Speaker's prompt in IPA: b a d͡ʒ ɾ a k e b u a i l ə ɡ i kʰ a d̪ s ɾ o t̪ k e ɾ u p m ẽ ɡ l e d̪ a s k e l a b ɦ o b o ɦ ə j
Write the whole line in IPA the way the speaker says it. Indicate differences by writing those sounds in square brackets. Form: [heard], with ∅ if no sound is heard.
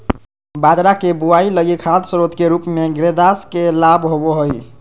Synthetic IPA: b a d͡ʒ ɾ a k e b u a i l ə ɡ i kʰ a d̪ s ɾ o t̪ k e ɾ u p m [e] ɡ [ɾ] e d̪ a s k e l a b ɦ o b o ɦ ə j